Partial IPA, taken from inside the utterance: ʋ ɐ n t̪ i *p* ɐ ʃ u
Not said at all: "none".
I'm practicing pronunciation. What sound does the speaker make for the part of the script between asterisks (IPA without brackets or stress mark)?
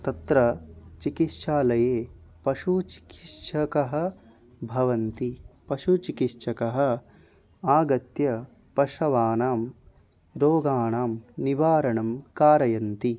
p